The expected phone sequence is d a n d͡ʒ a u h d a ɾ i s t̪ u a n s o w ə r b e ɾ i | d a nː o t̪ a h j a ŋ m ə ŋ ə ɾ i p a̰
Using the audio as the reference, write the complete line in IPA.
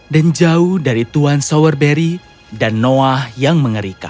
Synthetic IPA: d a n d͡ʒ a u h d a ɾ i t̪ u a n s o w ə r b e ɾ i | d a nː o a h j a ŋ m ə ŋ ə ɾ i k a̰